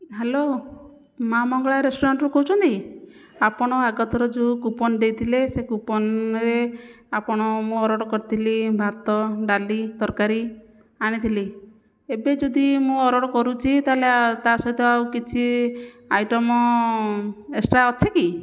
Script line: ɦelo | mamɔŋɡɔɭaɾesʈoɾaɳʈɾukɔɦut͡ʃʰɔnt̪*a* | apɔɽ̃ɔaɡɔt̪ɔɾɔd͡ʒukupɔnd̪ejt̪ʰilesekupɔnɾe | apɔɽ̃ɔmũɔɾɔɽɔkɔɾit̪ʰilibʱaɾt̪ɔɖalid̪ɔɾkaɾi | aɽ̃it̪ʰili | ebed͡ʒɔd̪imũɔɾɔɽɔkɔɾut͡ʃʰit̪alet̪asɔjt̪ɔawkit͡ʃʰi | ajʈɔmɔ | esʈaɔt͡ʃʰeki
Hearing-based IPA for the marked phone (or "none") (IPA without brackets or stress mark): i